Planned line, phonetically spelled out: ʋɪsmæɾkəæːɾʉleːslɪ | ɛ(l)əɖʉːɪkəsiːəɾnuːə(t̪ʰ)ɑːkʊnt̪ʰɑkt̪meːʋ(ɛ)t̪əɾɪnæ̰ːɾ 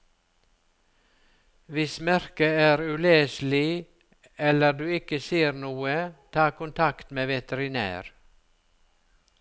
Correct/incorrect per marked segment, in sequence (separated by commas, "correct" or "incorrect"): correct, correct, correct